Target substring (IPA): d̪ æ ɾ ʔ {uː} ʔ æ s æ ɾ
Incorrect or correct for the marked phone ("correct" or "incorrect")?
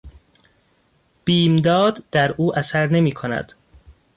correct